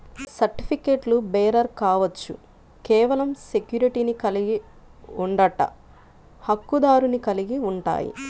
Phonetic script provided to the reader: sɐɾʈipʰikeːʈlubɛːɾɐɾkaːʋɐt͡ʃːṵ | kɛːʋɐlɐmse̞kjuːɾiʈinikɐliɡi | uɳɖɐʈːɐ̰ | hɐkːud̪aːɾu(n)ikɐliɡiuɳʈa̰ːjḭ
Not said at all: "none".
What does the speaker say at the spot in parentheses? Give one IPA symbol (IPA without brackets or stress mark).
n